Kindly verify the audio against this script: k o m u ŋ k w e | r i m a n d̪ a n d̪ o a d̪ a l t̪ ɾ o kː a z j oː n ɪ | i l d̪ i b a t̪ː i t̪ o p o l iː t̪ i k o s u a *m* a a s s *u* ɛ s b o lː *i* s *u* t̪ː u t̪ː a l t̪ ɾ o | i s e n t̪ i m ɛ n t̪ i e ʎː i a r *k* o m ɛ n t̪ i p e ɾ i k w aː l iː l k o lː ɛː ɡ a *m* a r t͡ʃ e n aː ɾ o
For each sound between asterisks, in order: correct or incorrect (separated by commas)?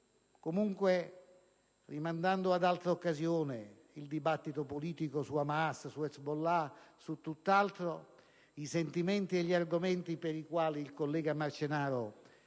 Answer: correct, correct, incorrect, correct, incorrect, correct